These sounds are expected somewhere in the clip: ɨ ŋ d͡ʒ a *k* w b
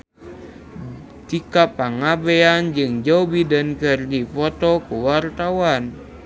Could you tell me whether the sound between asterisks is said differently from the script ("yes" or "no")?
yes